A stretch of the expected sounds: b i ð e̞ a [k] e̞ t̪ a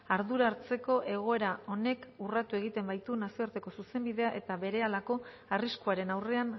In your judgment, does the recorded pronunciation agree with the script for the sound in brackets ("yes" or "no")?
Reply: no